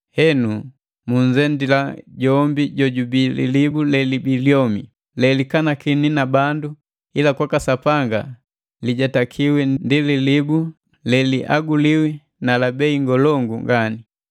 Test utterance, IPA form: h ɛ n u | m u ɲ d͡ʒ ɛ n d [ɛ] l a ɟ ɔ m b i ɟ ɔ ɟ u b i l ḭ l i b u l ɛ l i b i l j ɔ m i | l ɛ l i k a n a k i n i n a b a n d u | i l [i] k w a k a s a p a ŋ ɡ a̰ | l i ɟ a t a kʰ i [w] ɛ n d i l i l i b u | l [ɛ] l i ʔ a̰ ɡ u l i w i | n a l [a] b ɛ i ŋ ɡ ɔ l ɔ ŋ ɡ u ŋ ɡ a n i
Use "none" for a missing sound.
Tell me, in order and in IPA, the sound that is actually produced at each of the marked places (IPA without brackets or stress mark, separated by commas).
i, a, w, ɛ, a